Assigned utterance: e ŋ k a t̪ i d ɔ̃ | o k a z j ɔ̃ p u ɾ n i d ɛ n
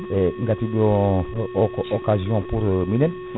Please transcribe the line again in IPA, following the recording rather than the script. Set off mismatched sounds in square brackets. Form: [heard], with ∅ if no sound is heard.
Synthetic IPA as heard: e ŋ [ɡ] a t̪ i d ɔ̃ | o k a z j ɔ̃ p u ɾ [m] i [n] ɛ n